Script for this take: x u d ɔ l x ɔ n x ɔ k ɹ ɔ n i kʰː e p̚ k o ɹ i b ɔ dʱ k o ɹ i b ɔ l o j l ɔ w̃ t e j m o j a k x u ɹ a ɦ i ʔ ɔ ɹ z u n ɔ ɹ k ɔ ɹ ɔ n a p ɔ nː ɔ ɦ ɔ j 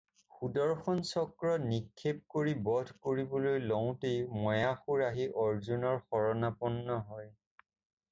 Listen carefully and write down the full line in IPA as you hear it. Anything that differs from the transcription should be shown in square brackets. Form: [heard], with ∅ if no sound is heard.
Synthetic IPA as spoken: x u d ɔ [ɹ] x ɔ n [s] ɔ k ɹ ɔ n i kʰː e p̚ k o ɹ i b ɔ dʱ k o ɹ i b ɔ l o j l ɔ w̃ t e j m [ɔ] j a [∅] x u ɹ a ɦ i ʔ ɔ ɹ z u n ɔ ɹ [x] ɔ ɹ ɔ n a p ɔ nː ɔ ɦ ɔ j